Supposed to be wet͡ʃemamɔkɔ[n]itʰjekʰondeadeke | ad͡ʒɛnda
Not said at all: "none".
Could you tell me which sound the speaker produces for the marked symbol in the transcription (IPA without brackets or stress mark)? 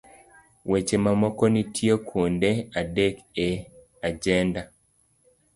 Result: n